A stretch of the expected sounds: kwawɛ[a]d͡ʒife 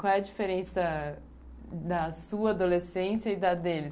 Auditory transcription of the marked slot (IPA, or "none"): ɐ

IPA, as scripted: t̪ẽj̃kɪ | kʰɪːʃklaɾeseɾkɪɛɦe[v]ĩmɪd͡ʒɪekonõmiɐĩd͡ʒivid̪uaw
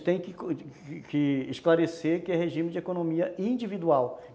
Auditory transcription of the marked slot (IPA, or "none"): ʒ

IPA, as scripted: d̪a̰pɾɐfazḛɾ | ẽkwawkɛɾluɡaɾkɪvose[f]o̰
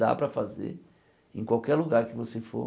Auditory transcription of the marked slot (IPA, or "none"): f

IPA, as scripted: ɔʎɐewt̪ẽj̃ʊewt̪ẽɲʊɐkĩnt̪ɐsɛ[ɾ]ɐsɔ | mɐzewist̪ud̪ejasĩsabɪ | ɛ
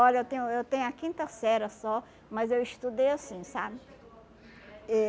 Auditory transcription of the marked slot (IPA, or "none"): ɾ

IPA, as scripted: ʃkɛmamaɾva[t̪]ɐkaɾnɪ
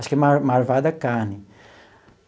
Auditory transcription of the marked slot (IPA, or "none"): d̪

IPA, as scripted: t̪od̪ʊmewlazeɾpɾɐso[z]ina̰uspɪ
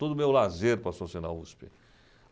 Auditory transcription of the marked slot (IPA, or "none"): s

